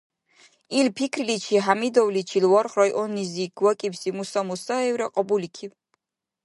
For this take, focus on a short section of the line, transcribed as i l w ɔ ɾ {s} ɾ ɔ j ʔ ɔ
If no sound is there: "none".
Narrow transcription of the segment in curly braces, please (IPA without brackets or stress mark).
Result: χ